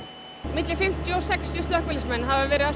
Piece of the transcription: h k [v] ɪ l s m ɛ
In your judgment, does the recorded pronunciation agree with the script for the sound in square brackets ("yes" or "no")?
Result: yes